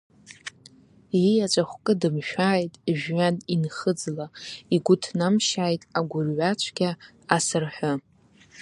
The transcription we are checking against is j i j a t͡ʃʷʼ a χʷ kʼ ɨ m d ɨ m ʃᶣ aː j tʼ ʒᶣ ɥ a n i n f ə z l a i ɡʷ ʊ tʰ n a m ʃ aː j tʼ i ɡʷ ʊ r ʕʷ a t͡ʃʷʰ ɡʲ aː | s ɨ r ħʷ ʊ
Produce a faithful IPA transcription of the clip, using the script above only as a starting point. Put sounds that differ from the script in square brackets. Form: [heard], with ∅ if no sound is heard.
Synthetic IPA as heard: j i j a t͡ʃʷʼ a χʷ kʼ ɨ [∅] d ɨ m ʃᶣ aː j tʼ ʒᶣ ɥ a n i n [χ] ə [d͡z] l a i ɡʷ ʊ tʰ n a m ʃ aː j tʼ [a] ɡʷ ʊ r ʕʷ a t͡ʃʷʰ ɡʲ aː | s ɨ r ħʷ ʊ